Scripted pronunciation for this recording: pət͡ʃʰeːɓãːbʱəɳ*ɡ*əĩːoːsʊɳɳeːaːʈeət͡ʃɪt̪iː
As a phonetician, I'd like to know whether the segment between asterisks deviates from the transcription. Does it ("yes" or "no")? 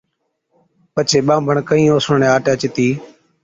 yes